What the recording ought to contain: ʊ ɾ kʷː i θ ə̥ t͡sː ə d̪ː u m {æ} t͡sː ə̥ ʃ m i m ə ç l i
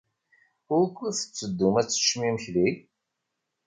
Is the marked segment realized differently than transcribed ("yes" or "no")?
no